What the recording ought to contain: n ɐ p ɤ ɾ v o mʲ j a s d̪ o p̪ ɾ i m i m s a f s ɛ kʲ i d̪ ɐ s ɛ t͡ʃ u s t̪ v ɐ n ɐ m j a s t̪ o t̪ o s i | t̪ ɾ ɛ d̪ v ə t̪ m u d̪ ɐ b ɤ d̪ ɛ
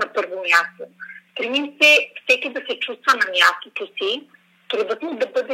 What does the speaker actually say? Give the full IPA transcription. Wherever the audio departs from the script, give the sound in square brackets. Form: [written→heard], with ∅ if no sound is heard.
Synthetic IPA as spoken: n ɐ p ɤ ɾ v o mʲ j a s [d̪→t̪] o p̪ ɾ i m i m s [a→ɛ] f s ɛ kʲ i d̪ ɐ s ɛ t͡ʃ u s t̪ v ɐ n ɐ m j a s t̪ o t̪ o s i | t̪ ɾ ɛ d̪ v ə t̪ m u d̪ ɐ b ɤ d̪ ɛ